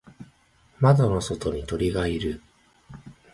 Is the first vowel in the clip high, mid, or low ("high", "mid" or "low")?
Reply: low